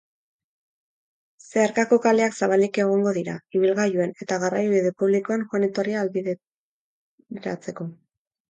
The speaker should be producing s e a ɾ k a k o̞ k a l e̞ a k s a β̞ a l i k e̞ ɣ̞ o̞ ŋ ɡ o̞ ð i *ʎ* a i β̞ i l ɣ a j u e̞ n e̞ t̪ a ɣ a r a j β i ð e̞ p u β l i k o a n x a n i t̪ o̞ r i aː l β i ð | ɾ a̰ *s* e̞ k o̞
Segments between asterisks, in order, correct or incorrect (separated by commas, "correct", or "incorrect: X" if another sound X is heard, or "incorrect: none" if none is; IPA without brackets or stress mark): incorrect: ɾ, incorrect: t͡s